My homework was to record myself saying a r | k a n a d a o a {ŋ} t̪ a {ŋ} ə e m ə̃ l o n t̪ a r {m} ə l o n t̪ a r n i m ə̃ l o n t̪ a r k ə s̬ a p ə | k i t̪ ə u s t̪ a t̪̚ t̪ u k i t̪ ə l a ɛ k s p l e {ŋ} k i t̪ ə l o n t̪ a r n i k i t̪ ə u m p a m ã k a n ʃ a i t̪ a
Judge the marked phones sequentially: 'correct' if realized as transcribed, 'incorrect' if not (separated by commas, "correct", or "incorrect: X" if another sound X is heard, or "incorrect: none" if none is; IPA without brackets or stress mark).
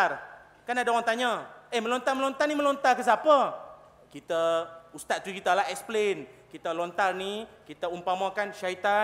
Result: correct, incorrect: ɲ, correct, incorrect: n